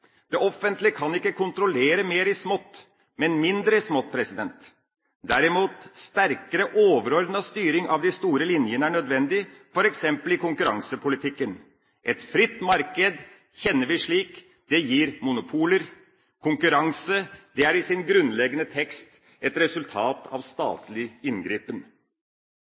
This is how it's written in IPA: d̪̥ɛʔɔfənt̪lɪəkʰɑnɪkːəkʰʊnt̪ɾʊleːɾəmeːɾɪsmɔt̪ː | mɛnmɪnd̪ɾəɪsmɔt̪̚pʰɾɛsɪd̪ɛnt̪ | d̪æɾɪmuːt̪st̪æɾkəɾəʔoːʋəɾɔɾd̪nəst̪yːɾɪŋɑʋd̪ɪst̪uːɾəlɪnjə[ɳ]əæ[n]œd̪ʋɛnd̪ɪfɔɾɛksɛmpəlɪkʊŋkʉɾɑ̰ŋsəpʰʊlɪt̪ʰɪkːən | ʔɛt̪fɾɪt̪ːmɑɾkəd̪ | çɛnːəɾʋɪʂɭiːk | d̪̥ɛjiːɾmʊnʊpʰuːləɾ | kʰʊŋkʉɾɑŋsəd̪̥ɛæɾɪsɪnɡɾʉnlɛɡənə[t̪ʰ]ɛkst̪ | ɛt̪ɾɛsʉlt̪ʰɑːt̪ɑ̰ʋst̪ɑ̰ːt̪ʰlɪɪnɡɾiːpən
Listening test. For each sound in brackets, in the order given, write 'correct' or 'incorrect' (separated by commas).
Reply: incorrect, incorrect, correct